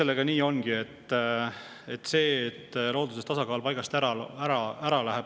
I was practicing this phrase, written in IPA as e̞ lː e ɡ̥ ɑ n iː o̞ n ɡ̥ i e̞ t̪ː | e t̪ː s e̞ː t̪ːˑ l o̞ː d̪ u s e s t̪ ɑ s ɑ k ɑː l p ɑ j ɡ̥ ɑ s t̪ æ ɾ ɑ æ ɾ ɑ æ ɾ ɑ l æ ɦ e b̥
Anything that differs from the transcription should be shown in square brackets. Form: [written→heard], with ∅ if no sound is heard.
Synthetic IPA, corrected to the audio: e̞ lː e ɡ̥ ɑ n iː o̞ n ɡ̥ i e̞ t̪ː | e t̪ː s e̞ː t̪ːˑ l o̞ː d̪ u s e s t̪ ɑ s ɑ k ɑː l p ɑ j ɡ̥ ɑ s t̪ æ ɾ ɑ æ ɾ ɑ æ ɾ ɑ l æ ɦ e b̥